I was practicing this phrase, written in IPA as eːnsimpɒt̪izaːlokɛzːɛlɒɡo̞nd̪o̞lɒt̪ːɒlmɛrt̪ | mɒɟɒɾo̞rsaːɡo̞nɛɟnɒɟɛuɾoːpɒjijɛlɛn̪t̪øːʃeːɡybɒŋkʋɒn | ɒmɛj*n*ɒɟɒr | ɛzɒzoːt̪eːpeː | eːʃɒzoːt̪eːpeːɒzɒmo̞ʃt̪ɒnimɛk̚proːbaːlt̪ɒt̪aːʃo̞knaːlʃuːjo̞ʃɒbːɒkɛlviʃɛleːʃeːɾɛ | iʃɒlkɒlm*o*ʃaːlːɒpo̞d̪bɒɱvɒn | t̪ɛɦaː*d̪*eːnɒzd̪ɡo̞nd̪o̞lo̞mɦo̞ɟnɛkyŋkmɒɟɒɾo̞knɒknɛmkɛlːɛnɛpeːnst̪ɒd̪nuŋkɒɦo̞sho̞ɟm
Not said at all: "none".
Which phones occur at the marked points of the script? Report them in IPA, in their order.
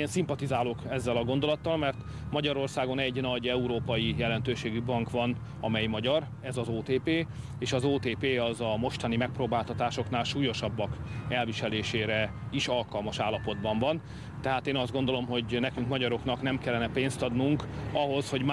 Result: m, ɒ, t̪

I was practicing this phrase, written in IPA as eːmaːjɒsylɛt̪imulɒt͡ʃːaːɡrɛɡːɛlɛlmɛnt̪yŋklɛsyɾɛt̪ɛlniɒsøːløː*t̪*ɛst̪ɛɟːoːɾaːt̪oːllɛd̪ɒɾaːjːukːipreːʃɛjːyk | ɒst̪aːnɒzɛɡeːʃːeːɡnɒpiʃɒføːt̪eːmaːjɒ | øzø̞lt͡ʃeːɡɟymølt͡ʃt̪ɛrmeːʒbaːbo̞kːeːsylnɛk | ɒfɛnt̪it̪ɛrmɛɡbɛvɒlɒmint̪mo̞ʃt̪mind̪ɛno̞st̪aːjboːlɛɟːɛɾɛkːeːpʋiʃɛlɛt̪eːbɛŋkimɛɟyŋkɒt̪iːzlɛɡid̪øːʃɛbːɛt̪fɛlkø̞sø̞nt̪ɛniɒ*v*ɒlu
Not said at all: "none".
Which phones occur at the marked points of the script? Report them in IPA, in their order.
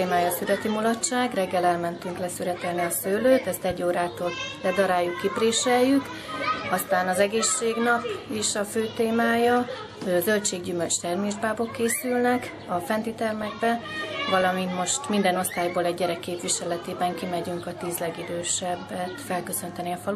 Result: t̪, f

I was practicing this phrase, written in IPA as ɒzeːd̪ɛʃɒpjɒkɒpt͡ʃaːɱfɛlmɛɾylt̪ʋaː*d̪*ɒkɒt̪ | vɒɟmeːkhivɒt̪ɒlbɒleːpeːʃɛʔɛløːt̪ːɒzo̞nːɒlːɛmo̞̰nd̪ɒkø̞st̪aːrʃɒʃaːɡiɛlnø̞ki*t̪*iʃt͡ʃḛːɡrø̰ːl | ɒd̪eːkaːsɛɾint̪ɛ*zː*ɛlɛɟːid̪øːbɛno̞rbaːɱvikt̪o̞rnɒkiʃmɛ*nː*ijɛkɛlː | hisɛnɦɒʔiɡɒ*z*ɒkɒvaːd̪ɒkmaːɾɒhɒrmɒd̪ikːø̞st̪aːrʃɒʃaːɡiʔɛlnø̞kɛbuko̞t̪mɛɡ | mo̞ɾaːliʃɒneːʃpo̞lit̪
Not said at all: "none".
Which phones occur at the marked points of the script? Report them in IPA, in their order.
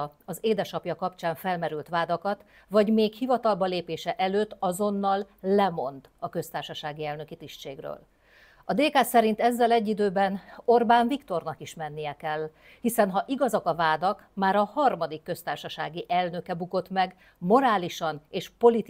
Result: d̪, t̪, zː, nː, z

